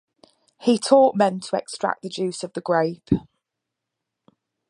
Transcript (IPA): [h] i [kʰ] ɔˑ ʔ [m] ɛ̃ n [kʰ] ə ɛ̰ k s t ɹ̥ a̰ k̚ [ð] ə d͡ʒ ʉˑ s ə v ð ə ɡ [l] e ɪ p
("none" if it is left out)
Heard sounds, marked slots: h, tʰ, m, tʰ, ð, ɹ

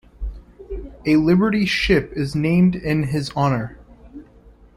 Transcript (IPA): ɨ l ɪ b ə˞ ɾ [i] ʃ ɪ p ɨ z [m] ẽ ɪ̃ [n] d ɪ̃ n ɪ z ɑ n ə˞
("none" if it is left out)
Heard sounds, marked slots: i, n, m

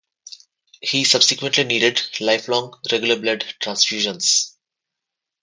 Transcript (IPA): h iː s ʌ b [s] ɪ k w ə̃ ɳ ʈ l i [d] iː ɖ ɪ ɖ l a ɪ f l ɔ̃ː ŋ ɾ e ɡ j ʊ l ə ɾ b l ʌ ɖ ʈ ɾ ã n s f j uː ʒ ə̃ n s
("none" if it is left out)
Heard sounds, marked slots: s, n

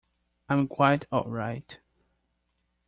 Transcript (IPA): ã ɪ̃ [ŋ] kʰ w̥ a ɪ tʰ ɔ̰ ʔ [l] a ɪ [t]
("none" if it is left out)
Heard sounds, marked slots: m, ɹ, t

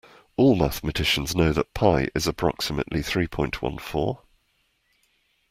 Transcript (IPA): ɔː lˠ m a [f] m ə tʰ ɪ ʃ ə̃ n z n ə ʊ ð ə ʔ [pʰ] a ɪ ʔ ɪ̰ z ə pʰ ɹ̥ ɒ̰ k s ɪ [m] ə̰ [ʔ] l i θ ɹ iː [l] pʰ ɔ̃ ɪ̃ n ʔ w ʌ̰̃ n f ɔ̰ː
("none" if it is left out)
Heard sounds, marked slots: θ, pʰ, m, ʔ, none

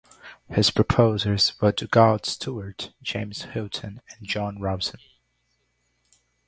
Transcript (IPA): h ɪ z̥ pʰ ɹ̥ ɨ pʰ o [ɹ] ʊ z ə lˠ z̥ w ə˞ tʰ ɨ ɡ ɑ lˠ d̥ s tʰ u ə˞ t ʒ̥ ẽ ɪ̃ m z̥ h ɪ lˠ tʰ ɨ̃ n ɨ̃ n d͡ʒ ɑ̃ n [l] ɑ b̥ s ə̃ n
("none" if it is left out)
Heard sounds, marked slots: none, ɹ

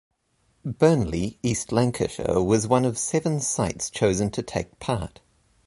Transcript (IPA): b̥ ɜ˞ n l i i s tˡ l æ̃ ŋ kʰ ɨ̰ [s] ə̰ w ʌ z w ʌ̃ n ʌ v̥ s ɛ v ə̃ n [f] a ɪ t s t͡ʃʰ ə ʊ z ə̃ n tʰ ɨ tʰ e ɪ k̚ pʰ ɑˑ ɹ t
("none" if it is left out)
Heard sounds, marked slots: ʃ, s

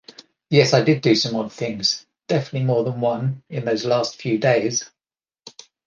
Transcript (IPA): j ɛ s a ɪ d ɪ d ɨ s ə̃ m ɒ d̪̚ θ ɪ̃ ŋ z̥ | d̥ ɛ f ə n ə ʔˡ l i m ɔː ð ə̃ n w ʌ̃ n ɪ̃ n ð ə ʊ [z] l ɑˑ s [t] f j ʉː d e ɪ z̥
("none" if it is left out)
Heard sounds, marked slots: z, t

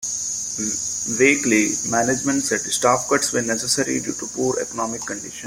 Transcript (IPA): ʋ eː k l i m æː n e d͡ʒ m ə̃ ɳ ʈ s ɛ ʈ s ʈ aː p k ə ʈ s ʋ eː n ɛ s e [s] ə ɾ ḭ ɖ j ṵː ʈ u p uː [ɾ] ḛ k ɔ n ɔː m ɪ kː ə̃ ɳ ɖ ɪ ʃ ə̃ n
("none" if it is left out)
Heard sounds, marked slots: s, ɾ

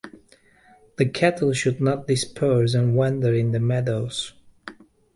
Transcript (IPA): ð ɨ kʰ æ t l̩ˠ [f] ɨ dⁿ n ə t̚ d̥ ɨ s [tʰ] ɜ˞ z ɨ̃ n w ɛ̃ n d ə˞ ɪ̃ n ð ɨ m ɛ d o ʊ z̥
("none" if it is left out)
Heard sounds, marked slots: ʃ, pʰ

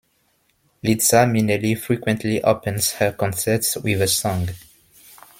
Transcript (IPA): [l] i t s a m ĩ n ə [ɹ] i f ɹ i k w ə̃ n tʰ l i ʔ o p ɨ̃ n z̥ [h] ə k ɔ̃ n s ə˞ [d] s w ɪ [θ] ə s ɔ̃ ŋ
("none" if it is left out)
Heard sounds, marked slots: l, l, h, t, ð

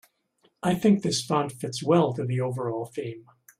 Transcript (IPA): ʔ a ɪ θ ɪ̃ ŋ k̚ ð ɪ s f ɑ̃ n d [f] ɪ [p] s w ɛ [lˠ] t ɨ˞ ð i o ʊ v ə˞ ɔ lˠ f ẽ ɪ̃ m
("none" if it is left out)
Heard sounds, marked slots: f, t, lˠ

